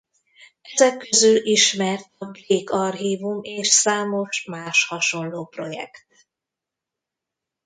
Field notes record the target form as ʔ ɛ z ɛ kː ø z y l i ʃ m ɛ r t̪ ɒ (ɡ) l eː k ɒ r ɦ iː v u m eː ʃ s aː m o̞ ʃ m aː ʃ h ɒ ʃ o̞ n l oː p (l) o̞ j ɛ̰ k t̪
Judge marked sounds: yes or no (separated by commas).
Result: no, no